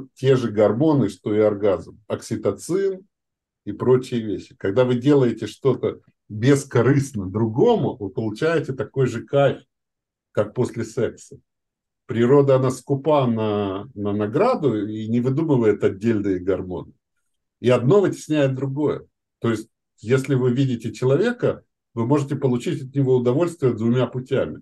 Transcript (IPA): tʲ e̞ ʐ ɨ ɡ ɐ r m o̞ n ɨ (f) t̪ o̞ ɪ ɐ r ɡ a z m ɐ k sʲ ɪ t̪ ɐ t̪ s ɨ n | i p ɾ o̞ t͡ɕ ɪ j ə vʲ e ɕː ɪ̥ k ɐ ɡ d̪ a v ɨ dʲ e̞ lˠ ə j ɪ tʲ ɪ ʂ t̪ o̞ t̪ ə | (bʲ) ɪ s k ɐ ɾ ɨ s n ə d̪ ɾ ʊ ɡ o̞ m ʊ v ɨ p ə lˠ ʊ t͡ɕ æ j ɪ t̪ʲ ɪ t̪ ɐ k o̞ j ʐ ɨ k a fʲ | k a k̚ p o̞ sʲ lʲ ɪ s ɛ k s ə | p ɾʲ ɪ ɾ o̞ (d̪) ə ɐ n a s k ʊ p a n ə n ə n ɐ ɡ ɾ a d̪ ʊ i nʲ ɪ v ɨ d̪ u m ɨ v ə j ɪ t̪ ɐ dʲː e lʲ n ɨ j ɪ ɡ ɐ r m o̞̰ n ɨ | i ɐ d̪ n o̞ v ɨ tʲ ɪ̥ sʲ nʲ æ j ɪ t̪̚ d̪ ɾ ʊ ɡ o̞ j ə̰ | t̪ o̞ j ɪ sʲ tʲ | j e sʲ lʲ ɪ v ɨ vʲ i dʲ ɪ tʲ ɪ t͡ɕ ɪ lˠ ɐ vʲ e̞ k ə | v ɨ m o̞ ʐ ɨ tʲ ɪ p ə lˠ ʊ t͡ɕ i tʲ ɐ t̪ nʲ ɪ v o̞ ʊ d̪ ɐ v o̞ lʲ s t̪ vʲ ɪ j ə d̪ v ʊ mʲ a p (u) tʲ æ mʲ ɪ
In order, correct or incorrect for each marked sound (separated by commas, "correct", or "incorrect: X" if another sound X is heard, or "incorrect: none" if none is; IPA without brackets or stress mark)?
incorrect: ʂ, correct, correct, incorrect: ʊ